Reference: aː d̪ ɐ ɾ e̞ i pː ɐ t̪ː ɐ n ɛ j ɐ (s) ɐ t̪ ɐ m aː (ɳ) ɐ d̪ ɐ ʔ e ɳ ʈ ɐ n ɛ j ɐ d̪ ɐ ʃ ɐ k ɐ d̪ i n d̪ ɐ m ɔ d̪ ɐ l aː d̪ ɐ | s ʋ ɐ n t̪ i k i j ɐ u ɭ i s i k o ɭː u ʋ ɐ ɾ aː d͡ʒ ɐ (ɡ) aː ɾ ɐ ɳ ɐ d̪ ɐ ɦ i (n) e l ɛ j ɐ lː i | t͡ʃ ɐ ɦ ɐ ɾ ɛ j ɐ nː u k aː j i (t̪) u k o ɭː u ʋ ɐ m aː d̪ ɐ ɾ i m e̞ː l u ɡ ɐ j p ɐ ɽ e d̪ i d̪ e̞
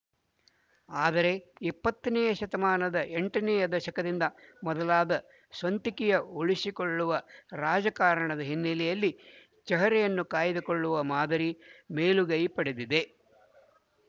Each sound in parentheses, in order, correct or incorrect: incorrect, incorrect, incorrect, incorrect, incorrect

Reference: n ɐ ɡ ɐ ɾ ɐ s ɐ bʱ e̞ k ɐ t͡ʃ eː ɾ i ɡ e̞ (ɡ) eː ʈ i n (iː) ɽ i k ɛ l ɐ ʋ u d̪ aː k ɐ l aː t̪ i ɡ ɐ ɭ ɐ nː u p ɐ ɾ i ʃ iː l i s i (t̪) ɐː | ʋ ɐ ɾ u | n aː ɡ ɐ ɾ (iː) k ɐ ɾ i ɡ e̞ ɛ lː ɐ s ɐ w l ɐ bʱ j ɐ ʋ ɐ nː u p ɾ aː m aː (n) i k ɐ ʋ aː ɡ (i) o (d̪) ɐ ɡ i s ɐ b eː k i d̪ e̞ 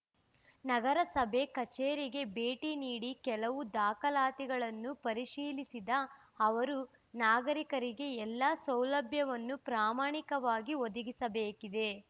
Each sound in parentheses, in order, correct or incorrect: incorrect, correct, incorrect, incorrect, incorrect, correct, correct

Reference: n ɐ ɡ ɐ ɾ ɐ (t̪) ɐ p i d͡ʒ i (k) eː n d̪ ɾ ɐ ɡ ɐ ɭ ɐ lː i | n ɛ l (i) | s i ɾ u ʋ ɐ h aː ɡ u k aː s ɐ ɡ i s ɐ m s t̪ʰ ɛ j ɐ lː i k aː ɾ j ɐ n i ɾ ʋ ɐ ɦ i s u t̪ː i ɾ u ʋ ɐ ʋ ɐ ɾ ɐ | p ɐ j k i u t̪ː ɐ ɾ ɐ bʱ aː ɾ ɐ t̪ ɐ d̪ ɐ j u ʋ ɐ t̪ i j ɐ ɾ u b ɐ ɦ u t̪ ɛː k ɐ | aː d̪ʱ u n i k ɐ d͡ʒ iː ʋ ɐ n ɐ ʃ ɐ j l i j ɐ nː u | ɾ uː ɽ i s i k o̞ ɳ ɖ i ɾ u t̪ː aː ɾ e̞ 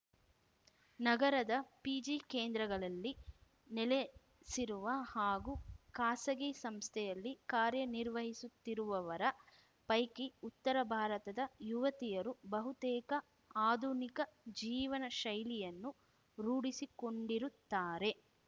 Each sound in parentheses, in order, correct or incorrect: incorrect, correct, incorrect

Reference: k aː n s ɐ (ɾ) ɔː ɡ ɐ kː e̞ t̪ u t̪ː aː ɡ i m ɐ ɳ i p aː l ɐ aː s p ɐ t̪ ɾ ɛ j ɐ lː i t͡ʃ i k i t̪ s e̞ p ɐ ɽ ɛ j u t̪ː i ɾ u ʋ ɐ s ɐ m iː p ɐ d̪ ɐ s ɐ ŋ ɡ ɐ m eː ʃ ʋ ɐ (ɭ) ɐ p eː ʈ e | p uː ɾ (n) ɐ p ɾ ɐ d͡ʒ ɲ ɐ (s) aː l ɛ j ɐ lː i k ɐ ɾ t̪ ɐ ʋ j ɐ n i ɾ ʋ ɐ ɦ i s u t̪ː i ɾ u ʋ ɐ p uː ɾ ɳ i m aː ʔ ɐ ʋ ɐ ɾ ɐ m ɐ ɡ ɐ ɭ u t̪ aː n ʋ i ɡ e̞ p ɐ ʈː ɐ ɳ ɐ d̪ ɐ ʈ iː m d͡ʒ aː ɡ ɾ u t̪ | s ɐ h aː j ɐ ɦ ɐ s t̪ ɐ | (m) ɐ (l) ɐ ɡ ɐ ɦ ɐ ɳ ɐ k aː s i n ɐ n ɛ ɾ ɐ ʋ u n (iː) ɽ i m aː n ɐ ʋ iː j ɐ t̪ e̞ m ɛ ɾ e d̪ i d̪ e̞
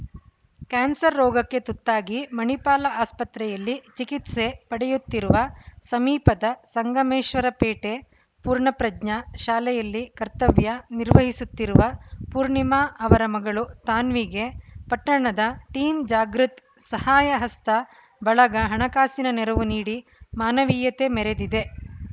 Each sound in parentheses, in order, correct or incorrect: incorrect, incorrect, incorrect, incorrect, incorrect, incorrect, correct

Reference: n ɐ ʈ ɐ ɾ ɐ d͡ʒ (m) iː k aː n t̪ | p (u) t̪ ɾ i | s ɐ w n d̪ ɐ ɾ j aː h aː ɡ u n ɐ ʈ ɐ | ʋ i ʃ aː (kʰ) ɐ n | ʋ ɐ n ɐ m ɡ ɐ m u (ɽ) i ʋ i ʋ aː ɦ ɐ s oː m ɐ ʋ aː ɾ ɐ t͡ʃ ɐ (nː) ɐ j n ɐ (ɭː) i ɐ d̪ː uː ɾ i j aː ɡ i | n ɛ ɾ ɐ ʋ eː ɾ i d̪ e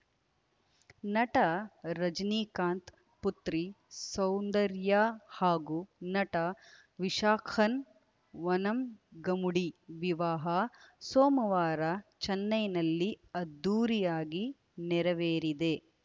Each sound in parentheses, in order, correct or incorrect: incorrect, correct, correct, correct, correct, incorrect

